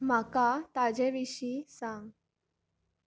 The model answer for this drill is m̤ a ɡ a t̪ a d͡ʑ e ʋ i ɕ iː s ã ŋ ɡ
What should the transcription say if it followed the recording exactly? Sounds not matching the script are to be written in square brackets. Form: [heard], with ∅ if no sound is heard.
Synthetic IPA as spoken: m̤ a [k] a t̪ a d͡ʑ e ʋ i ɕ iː s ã ŋ ɡ